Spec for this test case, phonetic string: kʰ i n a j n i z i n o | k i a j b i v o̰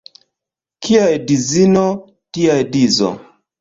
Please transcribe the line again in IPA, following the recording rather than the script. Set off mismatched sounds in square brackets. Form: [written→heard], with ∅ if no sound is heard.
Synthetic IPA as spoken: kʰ i [n→∅] a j [n→d] i z i n o | [k→t] i a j [b→d] i [v→z] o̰

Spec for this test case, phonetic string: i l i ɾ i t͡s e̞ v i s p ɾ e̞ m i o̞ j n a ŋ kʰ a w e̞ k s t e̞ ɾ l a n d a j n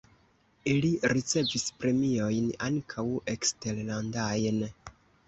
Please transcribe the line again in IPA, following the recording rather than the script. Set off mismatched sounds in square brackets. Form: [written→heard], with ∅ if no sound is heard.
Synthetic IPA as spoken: i l i ɾ i t͡s e̞ v i s p ɾ e̞ m i o̞ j n a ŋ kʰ a w e̞ k s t e̞ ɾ l a n d a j n

